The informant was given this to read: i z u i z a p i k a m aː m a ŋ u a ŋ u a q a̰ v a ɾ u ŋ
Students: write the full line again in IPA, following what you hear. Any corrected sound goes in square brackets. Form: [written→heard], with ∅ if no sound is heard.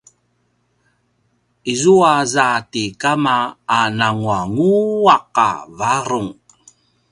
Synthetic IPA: i z u [i→a] z a [p→t] i k a m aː [m→n] a ŋ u a ŋ u a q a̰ v a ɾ u ŋ